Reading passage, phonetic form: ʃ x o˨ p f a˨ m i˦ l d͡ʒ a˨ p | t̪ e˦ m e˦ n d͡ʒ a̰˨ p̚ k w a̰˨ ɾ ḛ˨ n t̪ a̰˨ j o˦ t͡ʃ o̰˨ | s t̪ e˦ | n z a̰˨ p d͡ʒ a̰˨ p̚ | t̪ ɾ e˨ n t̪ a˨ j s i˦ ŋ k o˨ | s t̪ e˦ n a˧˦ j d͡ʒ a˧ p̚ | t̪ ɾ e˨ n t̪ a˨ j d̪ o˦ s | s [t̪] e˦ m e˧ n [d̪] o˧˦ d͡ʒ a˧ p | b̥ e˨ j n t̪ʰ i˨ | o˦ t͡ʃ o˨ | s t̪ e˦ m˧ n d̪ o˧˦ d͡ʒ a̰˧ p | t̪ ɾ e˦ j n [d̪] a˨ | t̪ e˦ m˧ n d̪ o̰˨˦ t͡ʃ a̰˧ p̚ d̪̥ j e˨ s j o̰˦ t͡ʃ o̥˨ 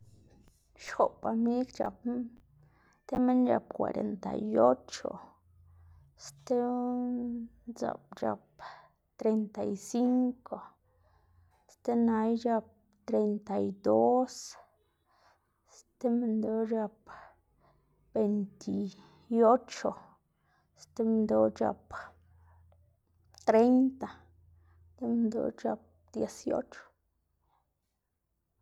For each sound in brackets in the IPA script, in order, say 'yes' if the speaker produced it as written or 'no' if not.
yes, yes, no

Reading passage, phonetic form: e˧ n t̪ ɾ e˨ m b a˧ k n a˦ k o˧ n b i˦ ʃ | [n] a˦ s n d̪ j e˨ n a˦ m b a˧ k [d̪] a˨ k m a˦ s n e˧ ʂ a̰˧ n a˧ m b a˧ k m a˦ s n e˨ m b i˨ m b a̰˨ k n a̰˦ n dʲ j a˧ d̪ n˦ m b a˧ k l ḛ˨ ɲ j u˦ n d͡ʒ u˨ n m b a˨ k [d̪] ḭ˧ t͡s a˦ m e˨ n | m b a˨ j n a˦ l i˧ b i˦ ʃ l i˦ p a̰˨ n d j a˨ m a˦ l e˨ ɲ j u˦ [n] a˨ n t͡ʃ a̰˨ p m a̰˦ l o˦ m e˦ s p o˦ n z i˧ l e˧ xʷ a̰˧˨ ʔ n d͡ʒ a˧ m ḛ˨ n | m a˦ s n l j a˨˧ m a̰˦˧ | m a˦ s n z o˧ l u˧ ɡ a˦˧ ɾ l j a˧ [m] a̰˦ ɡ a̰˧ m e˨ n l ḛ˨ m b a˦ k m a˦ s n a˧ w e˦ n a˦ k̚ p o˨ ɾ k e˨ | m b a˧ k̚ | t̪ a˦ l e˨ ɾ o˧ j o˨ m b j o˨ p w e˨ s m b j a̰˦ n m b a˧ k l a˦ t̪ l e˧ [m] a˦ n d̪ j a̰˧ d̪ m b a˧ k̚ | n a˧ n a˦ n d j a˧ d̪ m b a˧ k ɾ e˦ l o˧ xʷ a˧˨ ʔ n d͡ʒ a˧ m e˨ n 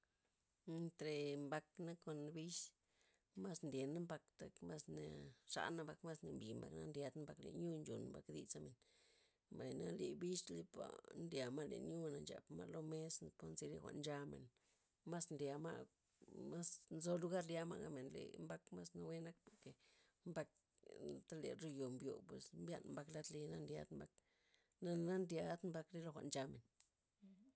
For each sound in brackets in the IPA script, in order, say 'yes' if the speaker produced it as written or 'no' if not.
no, no, yes, yes, yes, no

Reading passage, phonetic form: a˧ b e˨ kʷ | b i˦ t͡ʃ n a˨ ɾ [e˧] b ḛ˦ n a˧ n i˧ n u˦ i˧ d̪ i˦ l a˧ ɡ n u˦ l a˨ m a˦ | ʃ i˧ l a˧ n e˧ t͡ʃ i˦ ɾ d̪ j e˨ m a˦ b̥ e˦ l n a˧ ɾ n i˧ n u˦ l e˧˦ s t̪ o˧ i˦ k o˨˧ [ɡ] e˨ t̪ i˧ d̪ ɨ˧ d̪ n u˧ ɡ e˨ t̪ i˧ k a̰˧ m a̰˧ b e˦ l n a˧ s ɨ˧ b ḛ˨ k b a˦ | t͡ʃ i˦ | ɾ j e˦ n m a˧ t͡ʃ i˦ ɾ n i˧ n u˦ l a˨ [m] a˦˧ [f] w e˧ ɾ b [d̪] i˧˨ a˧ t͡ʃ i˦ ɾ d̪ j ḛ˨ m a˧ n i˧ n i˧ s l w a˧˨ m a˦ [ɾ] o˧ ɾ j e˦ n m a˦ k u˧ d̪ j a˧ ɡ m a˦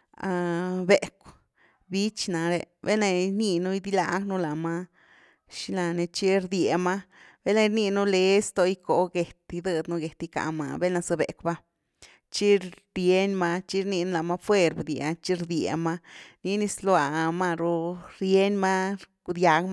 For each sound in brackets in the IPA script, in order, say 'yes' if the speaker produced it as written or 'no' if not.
yes, yes, yes, yes, yes, yes

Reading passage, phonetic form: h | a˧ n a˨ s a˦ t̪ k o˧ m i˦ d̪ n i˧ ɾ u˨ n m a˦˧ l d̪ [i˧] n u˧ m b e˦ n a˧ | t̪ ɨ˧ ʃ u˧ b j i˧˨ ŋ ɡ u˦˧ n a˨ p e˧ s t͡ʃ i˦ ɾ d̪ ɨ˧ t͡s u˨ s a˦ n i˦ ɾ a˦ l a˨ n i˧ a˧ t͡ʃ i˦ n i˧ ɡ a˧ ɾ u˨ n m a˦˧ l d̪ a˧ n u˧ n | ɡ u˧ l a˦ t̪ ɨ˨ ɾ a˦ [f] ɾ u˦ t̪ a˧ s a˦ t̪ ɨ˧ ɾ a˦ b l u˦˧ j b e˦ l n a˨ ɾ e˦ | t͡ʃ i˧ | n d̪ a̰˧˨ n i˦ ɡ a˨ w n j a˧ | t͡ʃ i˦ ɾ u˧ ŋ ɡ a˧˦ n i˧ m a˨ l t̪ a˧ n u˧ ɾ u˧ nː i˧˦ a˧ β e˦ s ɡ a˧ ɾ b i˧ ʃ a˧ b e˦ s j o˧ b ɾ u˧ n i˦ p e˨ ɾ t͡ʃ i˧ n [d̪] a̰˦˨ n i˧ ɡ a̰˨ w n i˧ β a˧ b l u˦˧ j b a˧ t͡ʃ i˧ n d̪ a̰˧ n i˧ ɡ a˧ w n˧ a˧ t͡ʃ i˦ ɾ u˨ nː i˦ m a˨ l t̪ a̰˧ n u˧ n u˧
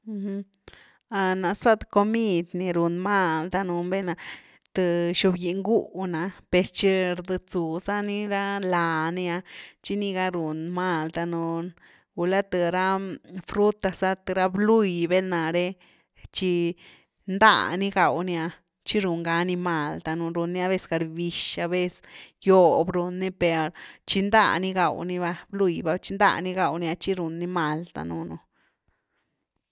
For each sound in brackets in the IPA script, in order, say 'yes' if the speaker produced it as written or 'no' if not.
no, yes, yes

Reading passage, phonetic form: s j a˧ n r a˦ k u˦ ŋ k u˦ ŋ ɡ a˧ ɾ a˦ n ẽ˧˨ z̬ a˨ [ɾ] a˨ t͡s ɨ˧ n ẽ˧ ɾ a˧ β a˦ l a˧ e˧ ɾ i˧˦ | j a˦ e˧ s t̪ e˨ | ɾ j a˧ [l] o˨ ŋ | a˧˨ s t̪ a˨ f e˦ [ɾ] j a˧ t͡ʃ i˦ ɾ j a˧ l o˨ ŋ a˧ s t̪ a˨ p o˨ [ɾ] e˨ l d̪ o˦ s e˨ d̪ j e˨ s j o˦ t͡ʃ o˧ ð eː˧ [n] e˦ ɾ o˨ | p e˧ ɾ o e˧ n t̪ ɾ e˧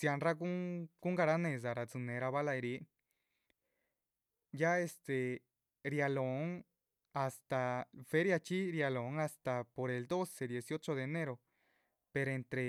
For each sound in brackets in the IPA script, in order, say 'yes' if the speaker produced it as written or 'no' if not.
yes, yes, yes, yes, yes

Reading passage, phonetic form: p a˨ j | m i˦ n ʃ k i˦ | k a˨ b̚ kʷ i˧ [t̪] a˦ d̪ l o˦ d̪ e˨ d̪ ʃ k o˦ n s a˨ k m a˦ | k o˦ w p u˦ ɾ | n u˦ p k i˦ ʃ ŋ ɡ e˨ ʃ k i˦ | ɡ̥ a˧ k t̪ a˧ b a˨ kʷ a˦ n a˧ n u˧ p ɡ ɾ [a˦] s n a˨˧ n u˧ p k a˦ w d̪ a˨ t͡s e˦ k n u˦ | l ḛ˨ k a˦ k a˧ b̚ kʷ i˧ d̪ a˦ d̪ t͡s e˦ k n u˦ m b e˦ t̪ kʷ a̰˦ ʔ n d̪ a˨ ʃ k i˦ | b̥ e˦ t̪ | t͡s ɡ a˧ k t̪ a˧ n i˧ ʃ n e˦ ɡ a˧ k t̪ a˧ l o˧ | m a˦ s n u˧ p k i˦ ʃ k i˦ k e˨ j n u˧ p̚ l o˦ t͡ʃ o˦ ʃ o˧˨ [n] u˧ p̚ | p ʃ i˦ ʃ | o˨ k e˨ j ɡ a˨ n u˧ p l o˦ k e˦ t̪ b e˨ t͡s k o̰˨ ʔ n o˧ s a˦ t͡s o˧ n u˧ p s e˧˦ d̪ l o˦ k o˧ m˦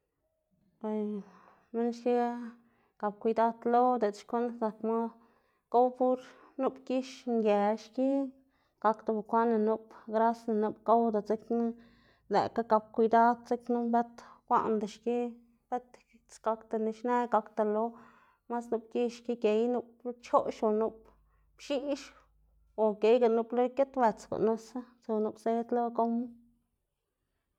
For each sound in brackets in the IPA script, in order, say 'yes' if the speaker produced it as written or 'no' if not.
no, yes, yes

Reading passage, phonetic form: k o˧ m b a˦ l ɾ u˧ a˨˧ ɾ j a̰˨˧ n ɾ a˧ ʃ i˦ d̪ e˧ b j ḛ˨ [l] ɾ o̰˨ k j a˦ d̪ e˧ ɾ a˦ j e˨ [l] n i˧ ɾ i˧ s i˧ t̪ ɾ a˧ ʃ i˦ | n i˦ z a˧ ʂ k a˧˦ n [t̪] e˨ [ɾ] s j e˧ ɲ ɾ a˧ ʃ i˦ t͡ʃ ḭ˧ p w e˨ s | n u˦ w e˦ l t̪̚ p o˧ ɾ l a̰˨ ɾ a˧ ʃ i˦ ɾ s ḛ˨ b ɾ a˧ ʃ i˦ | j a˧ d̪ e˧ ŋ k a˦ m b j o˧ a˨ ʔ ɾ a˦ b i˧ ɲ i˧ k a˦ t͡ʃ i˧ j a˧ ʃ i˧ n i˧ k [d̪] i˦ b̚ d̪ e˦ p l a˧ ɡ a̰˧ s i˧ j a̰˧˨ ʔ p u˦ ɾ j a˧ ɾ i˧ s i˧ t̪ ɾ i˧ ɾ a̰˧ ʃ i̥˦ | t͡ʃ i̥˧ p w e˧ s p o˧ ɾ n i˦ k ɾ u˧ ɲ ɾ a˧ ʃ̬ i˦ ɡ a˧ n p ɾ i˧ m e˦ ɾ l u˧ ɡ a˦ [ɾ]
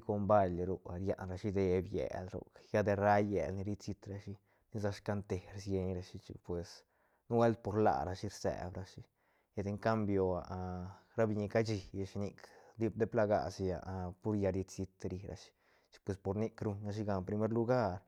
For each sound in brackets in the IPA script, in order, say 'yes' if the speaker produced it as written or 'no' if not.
yes, yes, yes, yes, yes, yes

